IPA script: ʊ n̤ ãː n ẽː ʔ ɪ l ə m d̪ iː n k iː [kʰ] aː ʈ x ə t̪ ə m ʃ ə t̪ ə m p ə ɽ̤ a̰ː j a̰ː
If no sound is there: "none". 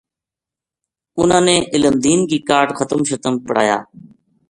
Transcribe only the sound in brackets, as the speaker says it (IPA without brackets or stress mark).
k